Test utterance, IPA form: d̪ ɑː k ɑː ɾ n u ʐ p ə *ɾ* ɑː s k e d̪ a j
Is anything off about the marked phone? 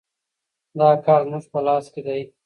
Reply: yes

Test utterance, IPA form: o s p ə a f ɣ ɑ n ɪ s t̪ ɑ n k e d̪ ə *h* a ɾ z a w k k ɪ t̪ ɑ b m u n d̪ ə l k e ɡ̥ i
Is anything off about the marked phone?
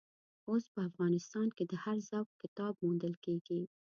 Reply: no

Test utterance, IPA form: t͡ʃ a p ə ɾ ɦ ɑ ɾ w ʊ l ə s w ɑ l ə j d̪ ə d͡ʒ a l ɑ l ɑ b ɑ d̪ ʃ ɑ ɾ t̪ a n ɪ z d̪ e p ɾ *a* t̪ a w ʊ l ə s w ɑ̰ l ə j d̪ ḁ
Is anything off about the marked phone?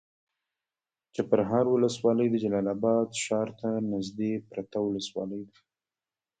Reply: no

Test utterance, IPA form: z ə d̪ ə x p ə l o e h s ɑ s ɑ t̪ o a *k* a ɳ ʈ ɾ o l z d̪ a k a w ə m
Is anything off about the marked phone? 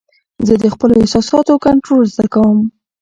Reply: no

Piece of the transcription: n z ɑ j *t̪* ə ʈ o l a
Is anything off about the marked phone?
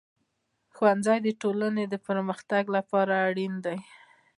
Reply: yes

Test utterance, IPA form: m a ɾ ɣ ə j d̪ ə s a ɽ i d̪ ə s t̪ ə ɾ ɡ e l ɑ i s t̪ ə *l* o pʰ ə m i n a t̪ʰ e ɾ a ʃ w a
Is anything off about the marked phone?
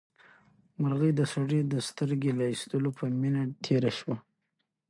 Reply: no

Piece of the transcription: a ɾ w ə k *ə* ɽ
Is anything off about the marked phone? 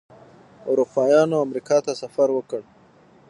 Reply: no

